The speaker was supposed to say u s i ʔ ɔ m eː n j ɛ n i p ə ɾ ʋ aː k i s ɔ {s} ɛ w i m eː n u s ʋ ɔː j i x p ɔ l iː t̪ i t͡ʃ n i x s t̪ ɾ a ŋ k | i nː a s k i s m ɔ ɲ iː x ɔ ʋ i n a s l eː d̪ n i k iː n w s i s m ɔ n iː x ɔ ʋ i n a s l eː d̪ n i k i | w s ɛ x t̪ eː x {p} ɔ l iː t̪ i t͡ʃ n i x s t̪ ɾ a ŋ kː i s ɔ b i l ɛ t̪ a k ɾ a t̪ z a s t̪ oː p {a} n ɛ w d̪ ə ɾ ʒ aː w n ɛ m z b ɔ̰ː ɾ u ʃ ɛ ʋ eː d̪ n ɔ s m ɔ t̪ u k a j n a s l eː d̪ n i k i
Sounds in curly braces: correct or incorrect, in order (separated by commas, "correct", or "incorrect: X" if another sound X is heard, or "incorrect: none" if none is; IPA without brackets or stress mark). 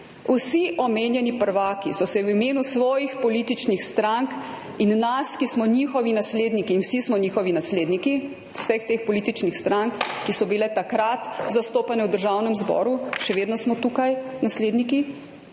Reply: correct, correct, correct